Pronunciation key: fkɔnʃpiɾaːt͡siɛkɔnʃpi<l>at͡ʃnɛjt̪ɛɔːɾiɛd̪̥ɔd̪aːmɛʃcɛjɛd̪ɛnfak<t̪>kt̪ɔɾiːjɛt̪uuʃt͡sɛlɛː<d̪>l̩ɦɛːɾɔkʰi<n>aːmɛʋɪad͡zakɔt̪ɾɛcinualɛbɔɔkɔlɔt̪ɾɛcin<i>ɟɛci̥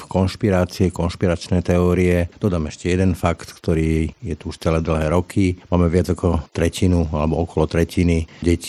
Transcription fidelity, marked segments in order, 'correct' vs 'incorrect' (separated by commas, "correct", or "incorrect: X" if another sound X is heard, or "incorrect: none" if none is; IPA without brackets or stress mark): incorrect: ɾ, correct, correct, incorrect: m, correct